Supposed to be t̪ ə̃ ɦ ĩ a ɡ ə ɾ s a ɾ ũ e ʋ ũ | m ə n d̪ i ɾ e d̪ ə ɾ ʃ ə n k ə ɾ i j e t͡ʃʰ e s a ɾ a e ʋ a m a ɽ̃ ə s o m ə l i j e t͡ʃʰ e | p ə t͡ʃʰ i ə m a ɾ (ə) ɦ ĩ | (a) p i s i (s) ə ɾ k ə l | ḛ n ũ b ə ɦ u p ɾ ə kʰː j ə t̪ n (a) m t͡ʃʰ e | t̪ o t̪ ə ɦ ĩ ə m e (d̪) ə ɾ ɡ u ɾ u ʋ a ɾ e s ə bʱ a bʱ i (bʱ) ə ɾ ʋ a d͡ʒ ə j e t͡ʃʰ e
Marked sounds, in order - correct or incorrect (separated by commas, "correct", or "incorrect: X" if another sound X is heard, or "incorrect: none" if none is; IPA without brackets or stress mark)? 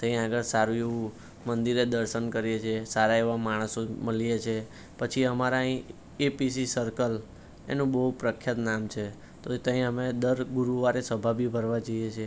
incorrect: a, incorrect: e, correct, correct, correct, correct